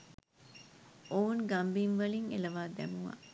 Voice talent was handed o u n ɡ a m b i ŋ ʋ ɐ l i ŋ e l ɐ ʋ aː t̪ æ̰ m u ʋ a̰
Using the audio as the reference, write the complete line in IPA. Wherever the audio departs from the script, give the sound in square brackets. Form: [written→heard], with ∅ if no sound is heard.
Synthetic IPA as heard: o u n ɡ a m b i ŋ ʋ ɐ l i ŋ e l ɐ ʋ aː [t̪→d̪] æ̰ m u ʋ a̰